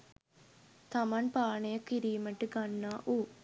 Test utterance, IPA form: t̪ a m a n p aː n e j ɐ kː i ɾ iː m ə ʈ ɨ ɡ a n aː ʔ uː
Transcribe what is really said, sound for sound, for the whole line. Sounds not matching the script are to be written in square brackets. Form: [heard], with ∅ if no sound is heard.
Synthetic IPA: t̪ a m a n p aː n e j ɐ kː i ɾ iː m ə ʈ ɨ ɡ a [nː] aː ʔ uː